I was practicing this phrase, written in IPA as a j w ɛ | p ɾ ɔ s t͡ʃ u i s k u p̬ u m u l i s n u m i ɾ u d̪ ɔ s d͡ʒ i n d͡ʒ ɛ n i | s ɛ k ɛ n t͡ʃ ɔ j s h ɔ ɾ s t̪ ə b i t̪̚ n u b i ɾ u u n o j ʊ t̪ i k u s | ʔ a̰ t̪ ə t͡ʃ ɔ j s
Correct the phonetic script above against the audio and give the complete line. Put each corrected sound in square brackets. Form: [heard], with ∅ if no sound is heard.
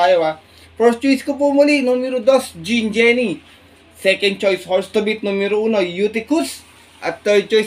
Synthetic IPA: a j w [a] | p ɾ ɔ s t͡ʃ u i s k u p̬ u m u l i [∅] n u m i ɾ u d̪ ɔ s d͡ʒ i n d͡ʒ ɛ n i | s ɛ k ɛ n t͡ʃ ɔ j s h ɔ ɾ s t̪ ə b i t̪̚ n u [m] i ɾ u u n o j [u] t̪ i k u s | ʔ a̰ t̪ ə t͡ʃ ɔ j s

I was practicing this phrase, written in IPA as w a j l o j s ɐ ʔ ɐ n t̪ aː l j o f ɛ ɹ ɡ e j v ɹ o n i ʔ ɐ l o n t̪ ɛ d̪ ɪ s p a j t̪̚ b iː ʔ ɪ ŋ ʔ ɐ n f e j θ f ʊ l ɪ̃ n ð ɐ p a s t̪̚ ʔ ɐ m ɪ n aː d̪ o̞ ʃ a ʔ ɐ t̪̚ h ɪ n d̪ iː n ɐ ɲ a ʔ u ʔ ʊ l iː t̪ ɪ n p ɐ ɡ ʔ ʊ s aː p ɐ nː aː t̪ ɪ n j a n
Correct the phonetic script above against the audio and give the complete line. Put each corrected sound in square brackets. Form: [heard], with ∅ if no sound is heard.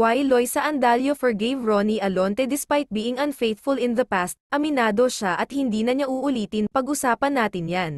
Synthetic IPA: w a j l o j s ɐ ʔ ɐ n [d̪] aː l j o f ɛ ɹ ɡ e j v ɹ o n i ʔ ɐ l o n t̪ ɛ d̪ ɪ s p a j t̪̚ b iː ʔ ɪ ŋ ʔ ɐ n f e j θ f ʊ l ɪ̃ n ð ɐ p a s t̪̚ ʔ ɐ m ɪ n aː d̪ o̞ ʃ a ʔ ɐ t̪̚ h ɪ n d̪ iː n ɐ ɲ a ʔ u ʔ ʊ l iː t̪ ɪ n p ɐ ɡ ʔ ʊ s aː p ɐ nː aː t̪ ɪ n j a n

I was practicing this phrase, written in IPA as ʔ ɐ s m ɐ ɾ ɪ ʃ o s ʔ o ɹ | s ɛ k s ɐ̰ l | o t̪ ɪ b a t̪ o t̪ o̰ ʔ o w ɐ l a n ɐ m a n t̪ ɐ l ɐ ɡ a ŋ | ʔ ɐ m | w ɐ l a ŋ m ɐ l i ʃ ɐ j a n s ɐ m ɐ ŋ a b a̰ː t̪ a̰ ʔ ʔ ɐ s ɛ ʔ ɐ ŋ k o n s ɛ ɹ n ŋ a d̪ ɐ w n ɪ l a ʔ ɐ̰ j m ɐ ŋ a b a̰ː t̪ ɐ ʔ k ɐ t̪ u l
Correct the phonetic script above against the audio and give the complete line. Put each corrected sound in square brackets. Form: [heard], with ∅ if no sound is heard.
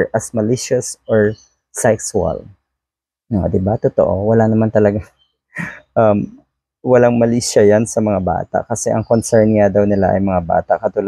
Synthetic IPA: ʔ ɐ s m ɐ [l] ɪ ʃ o s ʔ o ɹ | s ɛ k s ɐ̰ l | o [d̪] ɪ b a t̪ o t̪ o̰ ʔ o w ɐ l a n ɐ m a n t̪ ɐ l ɐ ɡ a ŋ | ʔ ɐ m | w ɐ l a ŋ m ɐ l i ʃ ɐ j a n s ɐ m ɐ ŋ a b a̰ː t̪ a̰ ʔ [k] ɐ s ɛ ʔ ɐ ŋ k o n s ɛ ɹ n ŋ a d̪ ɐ w n ɪ l a ʔ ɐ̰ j m ɐ ŋ a b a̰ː t̪ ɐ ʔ k ɐ t̪ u l

